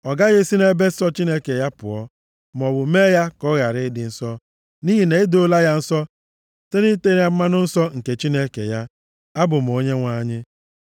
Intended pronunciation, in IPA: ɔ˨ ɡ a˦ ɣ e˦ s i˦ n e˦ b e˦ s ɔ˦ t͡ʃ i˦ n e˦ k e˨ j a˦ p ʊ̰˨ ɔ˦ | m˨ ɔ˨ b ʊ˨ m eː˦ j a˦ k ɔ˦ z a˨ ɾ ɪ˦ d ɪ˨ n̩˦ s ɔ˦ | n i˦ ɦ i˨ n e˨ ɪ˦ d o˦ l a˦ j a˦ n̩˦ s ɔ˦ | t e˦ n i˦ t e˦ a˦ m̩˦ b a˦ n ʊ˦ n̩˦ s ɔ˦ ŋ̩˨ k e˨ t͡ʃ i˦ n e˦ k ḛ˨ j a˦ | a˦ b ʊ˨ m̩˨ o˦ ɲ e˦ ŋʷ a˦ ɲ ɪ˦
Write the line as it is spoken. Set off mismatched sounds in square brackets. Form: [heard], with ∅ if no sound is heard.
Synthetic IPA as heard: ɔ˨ ɡ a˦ ɣ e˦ s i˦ n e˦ b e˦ s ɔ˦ t͡ʃ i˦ n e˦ k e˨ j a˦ p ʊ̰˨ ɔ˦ | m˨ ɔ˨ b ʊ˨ m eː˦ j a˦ k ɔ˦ [ɣ] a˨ ɾ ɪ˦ d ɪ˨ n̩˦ s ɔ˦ | n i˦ ɦ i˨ n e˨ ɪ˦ d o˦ l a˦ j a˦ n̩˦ s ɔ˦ | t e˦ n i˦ t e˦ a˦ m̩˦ [m] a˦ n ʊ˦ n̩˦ s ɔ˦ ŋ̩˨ k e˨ t͡ʃ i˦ n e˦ k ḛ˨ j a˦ | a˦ b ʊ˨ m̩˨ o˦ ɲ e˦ ŋʷ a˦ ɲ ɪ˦